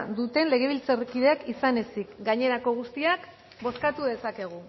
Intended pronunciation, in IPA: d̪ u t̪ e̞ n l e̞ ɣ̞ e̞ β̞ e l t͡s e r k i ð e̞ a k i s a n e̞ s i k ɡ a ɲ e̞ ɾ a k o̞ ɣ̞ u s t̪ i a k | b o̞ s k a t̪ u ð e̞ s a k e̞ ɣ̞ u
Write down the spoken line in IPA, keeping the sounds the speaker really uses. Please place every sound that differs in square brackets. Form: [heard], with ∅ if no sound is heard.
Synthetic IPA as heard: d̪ u t̪ e̞ n l e̞ ɣ̞ e̞ β̞ [i] l t͡s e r k i ð e̞ a k i s a n e̞ s i k ɡ a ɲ e̞ ɾ a k o̞ ɣ̞ u s t̪ i a k | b o̞ s k a t̪ u ð e̞ s a k e̞ ɣ̞ u